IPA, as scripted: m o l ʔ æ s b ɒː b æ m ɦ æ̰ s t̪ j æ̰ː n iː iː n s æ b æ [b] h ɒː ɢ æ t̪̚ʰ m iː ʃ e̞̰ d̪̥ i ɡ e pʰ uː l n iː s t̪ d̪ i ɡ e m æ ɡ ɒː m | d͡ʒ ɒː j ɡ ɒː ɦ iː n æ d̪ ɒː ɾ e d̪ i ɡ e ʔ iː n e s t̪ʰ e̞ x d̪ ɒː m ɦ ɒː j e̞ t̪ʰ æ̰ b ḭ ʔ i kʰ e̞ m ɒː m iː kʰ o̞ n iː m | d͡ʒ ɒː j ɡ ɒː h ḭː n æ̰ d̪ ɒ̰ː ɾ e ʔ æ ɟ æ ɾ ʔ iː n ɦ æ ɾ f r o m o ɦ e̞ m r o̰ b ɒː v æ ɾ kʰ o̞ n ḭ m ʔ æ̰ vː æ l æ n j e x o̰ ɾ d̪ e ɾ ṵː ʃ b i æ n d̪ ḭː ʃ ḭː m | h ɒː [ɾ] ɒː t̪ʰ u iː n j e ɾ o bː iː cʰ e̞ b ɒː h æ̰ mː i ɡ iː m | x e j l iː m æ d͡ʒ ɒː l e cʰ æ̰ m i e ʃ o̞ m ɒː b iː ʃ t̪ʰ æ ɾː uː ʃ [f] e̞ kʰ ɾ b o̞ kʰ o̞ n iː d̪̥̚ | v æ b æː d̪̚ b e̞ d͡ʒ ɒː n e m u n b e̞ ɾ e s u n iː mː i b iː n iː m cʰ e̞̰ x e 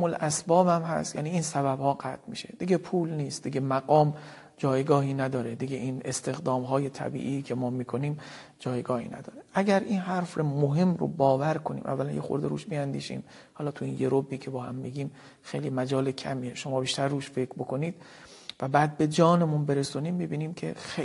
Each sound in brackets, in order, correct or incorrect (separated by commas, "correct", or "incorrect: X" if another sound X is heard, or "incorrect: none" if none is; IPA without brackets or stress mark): correct, incorrect: l, correct